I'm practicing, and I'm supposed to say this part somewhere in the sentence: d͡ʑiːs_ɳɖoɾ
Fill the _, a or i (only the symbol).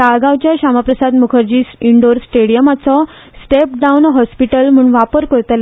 i